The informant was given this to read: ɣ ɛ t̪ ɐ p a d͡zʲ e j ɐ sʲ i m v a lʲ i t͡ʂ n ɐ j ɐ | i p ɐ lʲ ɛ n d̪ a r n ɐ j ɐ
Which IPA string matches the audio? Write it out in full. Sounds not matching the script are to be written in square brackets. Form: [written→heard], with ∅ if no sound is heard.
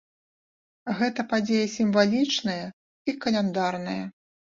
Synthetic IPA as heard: ɣ ɛ t̪ ɐ p a d͡zʲ e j ɐ sʲ i m v a lʲ i t͡ʂ n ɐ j ɐ | i [p→k] ɐ lʲ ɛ n d̪ a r n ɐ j ɐ